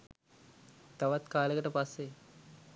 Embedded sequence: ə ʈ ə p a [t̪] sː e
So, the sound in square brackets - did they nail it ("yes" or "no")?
no